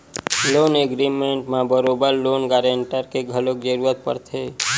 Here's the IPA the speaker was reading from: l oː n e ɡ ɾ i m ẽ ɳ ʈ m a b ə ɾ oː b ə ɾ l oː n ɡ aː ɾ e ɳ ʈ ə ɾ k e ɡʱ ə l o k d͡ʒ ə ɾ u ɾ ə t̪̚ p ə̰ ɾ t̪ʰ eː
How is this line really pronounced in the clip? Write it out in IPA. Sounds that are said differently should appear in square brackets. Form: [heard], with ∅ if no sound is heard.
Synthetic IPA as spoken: l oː n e ɡ ɾ i m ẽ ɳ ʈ m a b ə ɾ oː b ə ɾ l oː n ɡ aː ɾ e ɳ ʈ ə ɾ k e ɡʱ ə l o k d͡ʒ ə ɾ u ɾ ə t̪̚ p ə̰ ɾ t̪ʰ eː